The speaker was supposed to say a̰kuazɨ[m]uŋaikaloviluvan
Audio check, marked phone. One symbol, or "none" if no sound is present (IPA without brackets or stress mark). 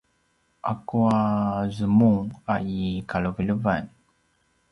m